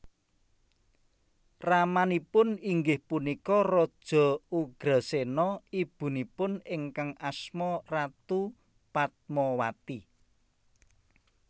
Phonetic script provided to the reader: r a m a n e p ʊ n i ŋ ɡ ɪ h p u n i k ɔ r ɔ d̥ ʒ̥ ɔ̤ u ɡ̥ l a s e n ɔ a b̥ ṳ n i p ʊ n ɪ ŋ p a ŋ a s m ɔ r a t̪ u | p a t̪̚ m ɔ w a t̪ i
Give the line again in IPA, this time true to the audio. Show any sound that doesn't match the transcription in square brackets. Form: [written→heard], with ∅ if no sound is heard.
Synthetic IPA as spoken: r a m a n [e→i] p ʊ n i ŋ ɡ ɪ h p u n i k ɔ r ɔ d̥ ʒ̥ ɔ̤ u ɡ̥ [l→ɾ] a s e n ɔ [a→i] b̥ ṳ n i p ʊ n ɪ ŋ [p→k] a ŋ a s m ɔ r a t̪ u | p a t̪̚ m ɔ w a t̪ i